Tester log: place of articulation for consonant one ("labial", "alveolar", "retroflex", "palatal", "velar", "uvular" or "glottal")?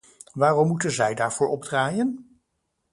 labial